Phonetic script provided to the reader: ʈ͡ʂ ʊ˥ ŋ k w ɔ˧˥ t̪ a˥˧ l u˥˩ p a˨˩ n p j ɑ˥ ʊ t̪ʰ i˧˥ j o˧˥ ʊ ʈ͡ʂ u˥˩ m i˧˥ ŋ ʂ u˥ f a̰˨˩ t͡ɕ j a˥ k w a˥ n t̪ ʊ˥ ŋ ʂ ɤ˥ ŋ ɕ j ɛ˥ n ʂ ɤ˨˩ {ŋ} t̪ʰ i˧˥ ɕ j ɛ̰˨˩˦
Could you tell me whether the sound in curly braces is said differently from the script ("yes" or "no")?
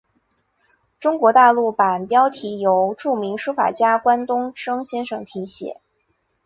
no